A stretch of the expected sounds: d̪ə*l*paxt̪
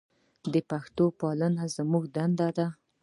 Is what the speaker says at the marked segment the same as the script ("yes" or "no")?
no